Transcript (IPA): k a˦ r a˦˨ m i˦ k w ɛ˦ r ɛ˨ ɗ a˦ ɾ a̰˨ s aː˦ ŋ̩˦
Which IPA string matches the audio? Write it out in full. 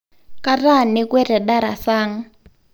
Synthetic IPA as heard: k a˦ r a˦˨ n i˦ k w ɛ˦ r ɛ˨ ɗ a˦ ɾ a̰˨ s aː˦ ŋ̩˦